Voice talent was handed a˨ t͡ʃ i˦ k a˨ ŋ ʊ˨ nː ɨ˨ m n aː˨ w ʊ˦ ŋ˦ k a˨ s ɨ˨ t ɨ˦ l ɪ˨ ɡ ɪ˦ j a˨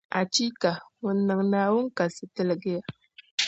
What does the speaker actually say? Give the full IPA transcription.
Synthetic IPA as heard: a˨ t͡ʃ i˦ k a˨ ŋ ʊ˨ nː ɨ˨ ŋ n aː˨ w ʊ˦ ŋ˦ k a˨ s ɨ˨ t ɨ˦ l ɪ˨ ɡ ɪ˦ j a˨

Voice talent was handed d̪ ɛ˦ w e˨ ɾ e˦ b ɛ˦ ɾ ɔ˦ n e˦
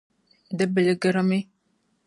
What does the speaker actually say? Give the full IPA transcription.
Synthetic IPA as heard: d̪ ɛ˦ b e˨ l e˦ ɡ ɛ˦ ɾ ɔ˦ m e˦

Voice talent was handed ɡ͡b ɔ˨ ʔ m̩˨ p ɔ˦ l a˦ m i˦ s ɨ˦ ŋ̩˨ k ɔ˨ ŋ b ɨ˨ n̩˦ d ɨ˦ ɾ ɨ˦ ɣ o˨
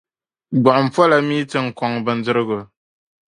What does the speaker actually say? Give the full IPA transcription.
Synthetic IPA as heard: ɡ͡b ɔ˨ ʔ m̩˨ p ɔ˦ l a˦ m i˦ t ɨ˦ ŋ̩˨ k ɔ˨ ŋ b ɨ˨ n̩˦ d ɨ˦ ɾ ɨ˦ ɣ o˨

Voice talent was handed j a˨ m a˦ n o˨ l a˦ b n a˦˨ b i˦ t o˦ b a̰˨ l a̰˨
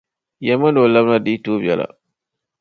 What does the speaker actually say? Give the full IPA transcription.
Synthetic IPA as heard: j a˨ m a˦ n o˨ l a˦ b n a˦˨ d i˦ t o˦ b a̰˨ l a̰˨

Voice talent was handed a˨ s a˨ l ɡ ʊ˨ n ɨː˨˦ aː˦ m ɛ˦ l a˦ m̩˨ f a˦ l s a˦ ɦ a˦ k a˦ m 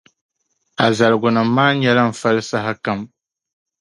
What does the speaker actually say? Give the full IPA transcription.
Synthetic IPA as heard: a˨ z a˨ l ɡ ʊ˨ n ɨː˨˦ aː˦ ɲ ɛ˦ l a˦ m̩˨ f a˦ l s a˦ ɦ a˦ k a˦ m

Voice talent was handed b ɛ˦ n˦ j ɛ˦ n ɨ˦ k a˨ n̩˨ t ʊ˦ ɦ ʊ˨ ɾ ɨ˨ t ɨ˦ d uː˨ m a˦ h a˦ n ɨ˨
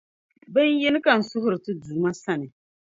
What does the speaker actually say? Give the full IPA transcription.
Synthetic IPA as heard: b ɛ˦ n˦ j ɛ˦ n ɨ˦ k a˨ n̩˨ s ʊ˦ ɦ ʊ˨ ɾ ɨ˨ t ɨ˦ d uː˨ m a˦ s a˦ n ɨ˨

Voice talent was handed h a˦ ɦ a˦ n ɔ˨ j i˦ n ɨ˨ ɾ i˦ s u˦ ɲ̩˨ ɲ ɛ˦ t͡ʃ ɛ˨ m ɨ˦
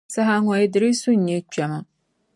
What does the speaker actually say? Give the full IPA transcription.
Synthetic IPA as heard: s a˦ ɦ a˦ ŋ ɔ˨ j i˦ d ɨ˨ ɾ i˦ s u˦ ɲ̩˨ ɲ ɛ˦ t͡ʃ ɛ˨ m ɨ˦

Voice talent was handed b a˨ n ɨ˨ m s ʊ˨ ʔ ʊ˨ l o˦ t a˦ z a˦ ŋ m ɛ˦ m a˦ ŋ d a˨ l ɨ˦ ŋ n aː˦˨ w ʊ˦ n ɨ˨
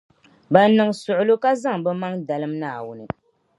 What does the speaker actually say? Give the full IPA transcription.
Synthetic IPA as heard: b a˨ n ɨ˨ ŋ s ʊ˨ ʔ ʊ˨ l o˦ k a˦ z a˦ ŋ b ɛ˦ m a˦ ŋ d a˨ l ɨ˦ m n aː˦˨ w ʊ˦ n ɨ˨

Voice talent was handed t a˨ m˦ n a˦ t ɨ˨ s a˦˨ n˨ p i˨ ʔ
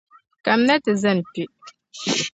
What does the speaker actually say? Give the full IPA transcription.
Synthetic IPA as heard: k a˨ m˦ n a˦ t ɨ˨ z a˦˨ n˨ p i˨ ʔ

